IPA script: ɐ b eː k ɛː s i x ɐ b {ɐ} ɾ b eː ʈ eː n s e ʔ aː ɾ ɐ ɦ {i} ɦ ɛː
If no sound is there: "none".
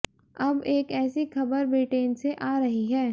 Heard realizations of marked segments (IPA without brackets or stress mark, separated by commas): ə, i